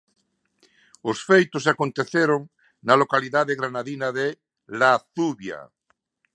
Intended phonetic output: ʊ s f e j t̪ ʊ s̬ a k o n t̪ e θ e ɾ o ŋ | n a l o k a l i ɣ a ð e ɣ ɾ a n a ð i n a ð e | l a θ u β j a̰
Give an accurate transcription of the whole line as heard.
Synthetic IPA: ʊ s f e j t̪ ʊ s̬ a k o n t̪ e θ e ɾ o ŋ | n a l o k a l i ð a ð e ɣ ɾ a n a ð i n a ð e | l a θ u β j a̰

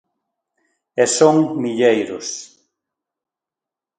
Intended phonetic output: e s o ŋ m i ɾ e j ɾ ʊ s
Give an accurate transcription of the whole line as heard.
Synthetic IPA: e s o ŋ m i ʎ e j ɾ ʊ s

